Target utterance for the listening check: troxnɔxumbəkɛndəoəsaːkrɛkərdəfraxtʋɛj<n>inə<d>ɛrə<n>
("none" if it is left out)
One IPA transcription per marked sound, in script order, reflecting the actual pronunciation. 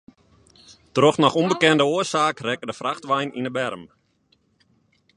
n, b, m

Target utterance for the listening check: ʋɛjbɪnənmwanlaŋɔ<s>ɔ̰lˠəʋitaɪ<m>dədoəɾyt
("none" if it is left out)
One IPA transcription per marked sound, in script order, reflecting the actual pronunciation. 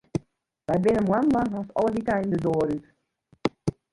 s, n

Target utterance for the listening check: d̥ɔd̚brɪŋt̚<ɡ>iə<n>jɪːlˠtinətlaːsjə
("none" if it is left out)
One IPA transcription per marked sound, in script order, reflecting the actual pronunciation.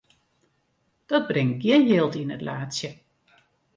ɡ, n

